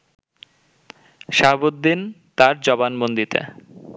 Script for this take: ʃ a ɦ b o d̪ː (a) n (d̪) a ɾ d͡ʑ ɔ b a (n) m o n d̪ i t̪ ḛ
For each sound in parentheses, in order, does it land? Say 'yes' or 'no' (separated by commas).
no, no, yes